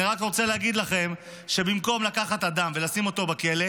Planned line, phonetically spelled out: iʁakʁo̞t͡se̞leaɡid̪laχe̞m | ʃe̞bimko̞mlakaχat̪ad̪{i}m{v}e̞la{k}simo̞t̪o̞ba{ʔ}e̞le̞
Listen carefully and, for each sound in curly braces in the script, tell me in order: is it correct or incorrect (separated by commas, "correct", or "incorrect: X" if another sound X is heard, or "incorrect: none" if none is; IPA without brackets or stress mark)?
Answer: incorrect: a, correct, incorrect: none, incorrect: k